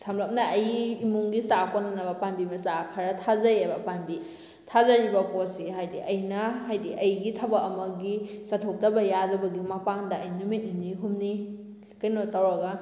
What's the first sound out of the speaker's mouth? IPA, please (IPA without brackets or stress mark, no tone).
s